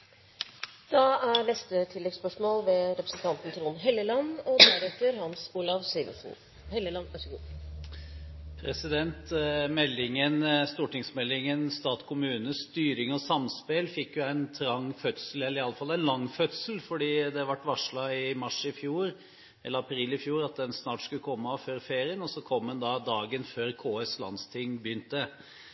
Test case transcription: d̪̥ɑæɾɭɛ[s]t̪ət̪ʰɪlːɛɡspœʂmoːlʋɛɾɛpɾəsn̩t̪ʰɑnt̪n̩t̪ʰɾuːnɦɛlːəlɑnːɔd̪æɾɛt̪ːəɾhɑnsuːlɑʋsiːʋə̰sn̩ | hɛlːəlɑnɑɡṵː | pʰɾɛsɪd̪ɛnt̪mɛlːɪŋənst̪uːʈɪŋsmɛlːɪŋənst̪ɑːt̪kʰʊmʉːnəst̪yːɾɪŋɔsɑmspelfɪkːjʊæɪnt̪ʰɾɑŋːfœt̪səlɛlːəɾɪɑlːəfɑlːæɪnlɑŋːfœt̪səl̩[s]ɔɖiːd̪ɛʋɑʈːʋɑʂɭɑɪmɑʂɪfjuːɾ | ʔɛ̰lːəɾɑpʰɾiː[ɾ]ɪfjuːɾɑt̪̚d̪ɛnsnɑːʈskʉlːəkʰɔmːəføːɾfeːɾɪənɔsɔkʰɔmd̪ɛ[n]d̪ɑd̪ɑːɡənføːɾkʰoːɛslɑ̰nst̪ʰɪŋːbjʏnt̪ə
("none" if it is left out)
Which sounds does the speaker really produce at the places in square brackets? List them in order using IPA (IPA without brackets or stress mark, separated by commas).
s, f, l, n